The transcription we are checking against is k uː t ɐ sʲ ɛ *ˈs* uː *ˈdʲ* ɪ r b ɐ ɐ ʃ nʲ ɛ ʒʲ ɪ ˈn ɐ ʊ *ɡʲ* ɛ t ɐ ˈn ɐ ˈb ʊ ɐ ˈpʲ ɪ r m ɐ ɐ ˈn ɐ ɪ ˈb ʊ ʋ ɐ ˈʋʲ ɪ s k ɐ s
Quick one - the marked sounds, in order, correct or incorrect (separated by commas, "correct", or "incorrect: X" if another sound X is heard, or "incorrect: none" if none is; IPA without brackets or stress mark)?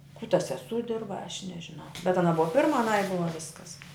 correct, correct, incorrect: bʲ